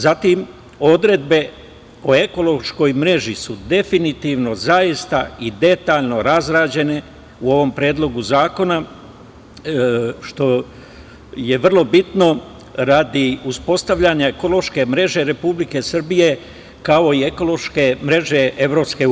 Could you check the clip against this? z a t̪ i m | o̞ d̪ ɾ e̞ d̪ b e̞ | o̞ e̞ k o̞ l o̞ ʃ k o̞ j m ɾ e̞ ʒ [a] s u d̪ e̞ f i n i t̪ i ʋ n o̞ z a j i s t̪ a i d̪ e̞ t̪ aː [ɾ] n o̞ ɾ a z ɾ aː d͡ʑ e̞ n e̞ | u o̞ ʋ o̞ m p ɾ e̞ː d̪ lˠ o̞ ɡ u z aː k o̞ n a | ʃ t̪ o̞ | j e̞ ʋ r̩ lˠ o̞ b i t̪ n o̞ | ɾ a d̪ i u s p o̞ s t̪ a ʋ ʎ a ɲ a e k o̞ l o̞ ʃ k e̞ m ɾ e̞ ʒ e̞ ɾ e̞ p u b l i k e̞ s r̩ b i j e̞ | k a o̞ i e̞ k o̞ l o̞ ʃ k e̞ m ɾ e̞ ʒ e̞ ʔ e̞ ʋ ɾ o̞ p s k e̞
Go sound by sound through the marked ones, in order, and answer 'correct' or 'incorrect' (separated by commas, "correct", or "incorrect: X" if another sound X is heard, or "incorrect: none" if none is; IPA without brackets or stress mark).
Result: incorrect: i, incorrect: ʎ